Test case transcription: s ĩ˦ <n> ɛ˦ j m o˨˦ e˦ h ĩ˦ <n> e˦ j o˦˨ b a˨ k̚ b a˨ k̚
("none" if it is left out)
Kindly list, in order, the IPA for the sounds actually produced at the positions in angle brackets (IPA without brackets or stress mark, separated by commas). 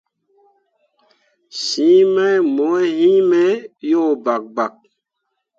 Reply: m, m